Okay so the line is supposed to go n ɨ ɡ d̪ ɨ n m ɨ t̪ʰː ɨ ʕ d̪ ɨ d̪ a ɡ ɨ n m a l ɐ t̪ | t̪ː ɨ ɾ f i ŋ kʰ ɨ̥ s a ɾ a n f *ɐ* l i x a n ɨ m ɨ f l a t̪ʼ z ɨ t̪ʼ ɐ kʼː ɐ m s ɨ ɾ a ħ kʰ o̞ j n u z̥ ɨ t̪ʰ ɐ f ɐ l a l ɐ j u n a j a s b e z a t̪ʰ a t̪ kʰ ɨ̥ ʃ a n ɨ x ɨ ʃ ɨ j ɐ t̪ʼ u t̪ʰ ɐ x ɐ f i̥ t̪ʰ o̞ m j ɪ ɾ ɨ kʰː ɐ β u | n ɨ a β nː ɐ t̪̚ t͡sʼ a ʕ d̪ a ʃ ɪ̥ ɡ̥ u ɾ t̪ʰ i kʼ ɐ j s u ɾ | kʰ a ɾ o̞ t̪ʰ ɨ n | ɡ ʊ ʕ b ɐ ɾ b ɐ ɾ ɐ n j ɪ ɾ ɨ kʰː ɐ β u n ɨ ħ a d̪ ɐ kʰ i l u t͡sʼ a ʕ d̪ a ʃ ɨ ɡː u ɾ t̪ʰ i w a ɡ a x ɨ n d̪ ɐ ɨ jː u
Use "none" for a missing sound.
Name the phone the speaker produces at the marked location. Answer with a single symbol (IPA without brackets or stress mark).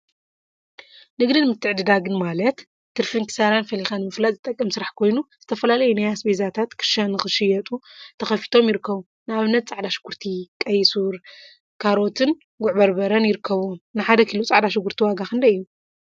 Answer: ɐ